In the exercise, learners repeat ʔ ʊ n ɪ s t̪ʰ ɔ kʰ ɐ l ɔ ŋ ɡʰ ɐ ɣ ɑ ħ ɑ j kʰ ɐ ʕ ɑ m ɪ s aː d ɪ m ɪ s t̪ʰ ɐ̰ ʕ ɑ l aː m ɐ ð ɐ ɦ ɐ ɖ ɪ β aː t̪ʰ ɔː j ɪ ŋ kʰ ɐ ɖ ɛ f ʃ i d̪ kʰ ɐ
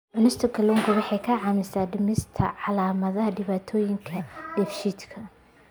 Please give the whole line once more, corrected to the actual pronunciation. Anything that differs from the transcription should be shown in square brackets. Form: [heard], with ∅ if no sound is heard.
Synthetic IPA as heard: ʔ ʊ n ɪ s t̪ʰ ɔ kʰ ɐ l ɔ ŋ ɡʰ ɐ [w] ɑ ħ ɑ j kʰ ɐ ʕ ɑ m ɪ s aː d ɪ m ɪ s t̪ʰ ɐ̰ ʕ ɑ l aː m ɐ ð ɐ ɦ ɐ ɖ ɪ β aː t̪ʰ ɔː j ɪ ŋ kʰ ɐ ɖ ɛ f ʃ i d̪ kʰ ɐ